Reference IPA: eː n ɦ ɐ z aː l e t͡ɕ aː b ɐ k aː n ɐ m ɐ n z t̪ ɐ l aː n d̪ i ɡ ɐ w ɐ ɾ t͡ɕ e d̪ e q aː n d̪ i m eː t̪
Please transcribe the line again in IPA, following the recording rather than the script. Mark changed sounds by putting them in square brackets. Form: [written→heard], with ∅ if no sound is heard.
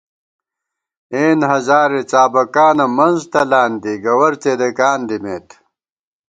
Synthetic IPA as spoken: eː n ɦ ɐ z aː [l→ɾ] e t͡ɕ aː b ɐ k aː n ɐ m ɐ n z t̪ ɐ l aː n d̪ i ɡ ɐ w ɐ ɾ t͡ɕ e d̪ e [q→k] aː n d̪ i m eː t̪